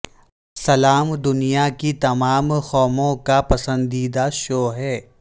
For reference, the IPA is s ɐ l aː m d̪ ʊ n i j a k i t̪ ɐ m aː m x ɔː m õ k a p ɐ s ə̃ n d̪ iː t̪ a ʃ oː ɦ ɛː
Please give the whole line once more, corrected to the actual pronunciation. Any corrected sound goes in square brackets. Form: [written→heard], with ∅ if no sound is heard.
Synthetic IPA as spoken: s ɐ l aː m d̪ ʊ n i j a k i t̪ ɐ m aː m x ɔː m õ k a p ɐ s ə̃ n d̪ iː [t̪→d̪] a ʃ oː ɦ ɛː